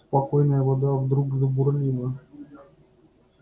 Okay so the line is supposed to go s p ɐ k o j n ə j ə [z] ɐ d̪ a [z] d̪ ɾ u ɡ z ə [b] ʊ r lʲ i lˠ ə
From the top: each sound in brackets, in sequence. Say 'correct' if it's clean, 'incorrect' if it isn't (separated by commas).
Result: incorrect, incorrect, correct